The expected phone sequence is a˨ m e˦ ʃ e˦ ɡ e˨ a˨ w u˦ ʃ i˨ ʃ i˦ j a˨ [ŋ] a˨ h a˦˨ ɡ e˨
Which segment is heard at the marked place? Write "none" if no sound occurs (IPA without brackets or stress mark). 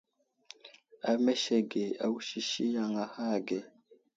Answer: ŋ